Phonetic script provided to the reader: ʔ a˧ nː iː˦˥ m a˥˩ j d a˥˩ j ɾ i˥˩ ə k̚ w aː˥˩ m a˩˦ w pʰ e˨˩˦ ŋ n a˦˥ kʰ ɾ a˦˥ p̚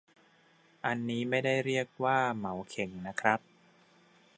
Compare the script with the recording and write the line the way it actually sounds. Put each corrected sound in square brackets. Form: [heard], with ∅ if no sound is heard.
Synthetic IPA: ʔ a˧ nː iː˦˥ m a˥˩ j d a˥˩ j ɾ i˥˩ ə k̚ w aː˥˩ m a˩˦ w [kʰ] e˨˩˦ ŋ n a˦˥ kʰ ɾ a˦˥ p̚

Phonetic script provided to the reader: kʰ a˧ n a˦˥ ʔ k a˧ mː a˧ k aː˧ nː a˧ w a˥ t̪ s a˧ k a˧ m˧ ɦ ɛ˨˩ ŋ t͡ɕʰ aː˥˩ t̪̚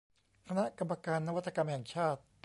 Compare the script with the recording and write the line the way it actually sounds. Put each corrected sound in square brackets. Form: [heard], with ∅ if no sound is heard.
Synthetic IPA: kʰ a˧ n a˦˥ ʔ k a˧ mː a˧ k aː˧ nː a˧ w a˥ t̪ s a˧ k a˧ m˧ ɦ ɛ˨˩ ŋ t͡ɕʰ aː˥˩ t̪̚

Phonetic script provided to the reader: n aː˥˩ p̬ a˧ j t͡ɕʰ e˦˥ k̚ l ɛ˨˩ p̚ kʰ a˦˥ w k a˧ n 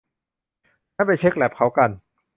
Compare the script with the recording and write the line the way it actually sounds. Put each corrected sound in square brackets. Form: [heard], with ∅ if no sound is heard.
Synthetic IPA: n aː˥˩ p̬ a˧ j t͡ɕʰ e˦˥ k̚ l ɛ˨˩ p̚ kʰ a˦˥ w k a˧ n

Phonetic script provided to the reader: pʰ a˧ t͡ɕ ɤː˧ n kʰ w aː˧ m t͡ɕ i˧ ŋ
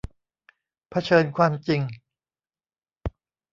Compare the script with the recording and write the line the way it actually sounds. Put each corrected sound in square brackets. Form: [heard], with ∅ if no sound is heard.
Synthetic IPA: pʰ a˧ [t͡ɕʰ] ɤː˧ n kʰ w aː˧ m t͡ɕ i˧ ŋ

